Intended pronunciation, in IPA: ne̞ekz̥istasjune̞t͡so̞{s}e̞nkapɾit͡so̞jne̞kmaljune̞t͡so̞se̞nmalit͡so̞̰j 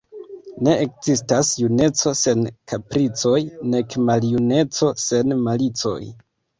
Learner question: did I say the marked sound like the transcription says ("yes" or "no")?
yes